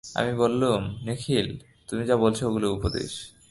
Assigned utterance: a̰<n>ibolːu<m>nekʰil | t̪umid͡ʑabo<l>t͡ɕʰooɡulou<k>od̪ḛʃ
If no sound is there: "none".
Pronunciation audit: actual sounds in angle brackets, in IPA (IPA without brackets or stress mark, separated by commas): m, m, l, p